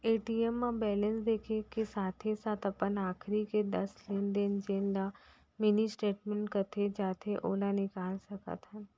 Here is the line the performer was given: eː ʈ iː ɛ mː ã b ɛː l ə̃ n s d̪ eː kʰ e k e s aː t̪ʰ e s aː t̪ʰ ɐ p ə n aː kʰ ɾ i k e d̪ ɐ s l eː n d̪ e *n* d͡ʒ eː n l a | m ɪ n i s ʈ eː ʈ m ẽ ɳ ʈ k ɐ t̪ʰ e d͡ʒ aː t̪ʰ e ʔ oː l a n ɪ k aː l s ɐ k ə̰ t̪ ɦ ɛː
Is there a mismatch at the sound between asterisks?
no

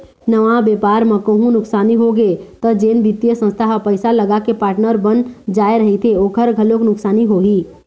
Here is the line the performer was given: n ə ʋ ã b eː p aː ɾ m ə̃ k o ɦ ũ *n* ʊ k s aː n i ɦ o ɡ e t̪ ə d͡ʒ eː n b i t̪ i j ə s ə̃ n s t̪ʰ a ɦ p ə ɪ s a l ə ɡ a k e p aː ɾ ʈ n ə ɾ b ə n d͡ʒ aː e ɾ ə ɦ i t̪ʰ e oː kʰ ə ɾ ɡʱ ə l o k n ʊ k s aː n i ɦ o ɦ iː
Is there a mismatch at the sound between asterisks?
no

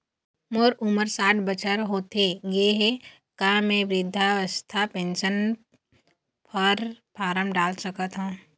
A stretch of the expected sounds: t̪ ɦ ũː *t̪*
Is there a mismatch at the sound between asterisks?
yes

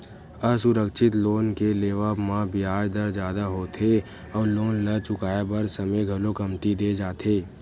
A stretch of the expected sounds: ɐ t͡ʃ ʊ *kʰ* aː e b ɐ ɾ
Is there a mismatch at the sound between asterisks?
yes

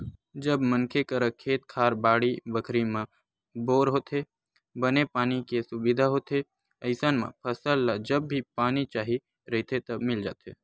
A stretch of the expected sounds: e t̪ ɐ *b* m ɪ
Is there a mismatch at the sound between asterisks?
no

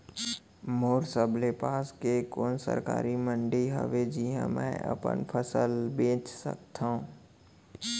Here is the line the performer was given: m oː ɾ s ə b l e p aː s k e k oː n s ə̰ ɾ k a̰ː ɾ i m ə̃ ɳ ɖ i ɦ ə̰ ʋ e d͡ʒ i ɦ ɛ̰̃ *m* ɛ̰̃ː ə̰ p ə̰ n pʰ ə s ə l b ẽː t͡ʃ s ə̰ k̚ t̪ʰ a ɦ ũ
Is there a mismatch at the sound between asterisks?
no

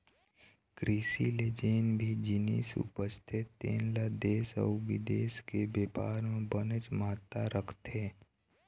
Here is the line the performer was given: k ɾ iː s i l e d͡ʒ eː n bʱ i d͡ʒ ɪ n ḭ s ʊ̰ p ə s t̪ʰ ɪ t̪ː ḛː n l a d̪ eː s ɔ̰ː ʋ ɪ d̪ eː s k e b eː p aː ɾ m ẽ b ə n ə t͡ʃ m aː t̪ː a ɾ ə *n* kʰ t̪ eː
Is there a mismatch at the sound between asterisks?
yes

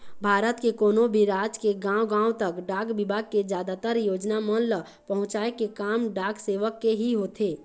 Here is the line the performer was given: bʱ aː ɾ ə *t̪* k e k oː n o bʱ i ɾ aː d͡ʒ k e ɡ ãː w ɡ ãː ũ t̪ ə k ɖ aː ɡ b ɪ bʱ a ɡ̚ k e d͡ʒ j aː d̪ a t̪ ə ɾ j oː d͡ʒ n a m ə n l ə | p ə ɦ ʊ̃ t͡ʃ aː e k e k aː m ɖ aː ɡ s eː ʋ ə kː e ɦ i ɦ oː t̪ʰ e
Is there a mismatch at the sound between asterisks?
no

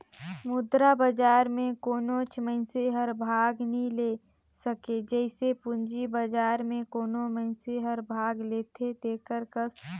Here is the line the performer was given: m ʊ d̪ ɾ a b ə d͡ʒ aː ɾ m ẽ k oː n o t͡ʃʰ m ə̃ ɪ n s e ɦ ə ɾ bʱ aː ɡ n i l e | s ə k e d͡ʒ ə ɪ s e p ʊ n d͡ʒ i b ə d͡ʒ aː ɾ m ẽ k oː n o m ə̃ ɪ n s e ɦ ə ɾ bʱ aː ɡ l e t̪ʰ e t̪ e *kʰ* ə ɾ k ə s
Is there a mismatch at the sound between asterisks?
yes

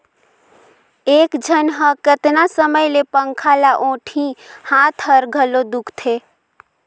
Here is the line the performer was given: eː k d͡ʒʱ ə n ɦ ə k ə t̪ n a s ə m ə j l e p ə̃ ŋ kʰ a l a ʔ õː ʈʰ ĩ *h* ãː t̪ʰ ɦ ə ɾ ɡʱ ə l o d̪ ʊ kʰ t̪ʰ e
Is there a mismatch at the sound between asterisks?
no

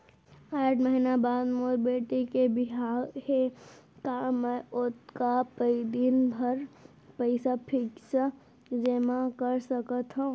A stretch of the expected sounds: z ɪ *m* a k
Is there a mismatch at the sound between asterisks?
no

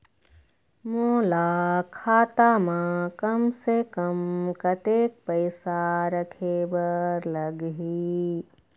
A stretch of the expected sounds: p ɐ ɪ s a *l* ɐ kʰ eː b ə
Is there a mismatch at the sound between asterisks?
yes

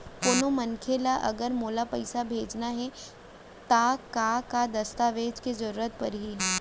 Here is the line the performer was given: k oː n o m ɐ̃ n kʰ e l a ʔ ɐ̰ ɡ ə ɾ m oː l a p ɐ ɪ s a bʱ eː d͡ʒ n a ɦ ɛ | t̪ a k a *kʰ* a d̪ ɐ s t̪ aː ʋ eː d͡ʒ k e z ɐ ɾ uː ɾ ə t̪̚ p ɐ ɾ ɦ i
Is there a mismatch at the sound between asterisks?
yes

